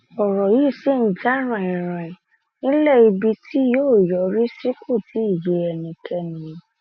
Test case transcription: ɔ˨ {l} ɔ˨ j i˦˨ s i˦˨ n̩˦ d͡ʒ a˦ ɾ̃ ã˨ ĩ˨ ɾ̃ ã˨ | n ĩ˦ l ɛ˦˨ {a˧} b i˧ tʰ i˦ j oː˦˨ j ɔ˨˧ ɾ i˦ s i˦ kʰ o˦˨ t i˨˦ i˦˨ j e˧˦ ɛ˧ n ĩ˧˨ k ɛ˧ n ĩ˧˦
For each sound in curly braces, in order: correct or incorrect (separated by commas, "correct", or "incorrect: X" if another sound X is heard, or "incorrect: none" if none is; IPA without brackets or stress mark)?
incorrect: ɾ, incorrect: i˧